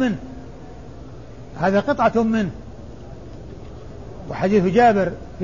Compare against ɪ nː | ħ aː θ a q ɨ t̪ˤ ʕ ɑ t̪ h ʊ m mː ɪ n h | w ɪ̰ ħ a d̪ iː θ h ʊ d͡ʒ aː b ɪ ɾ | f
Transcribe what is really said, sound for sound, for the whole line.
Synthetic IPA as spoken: ɪ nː | h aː ð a q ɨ t̪ˤ ʕ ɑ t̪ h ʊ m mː ɪ n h | w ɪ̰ ħ a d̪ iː θ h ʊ d͡ʒ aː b ɪ ɾ | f